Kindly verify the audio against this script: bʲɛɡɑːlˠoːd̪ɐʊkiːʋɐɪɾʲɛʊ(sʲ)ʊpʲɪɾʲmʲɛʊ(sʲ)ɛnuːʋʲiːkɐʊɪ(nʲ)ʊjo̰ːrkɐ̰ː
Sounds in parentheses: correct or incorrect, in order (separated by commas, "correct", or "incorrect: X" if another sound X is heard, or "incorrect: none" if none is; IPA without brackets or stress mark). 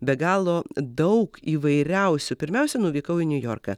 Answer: correct, correct, correct